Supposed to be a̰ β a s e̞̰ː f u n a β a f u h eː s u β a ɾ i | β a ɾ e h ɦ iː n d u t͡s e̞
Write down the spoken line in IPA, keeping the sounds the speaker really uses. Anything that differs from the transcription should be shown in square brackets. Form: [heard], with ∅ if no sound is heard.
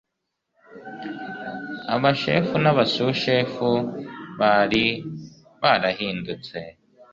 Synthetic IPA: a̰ β a [ʃ] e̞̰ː f u n a β a [s] u [ʃ] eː [f] u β a ɾ i | β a ɾ [a] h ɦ iː n d u t͡s e̞